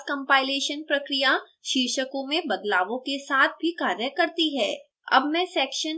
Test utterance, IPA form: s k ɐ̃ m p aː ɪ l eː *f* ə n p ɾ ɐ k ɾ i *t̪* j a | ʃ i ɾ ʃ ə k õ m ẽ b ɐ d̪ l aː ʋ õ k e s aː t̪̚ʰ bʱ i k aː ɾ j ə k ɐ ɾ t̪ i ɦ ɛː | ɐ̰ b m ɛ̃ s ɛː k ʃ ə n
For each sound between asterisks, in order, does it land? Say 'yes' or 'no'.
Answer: no, no

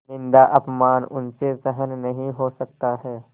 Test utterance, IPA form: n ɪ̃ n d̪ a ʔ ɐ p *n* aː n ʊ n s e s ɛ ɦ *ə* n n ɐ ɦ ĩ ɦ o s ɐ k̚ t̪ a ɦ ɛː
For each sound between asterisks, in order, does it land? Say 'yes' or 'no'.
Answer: no, yes

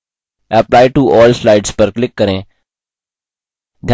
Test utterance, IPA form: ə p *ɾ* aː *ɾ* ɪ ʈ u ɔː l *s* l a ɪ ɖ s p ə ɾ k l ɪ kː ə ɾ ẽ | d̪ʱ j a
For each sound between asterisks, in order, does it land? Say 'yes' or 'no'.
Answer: no, no, yes

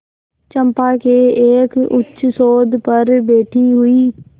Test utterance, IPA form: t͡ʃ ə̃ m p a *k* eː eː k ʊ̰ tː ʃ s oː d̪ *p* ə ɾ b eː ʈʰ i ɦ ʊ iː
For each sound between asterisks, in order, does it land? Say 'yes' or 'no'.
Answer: yes, yes

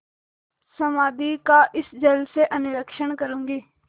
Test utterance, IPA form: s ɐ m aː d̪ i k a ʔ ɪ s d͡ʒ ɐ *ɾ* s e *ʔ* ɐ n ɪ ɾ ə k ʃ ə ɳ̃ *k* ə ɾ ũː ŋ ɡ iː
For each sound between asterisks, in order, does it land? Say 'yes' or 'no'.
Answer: no, yes, yes

